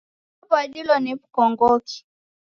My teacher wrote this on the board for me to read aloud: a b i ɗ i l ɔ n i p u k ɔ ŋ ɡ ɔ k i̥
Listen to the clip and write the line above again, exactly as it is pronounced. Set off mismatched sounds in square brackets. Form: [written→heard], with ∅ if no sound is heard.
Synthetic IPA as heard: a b [i→a] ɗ i l ɔ n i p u k ɔ ŋ ɡ ɔ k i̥